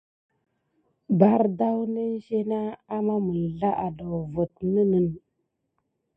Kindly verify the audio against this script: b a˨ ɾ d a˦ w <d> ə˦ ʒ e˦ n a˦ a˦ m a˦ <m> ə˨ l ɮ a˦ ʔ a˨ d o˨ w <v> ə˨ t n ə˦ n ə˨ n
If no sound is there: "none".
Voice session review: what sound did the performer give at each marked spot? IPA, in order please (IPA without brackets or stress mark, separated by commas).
n, m, v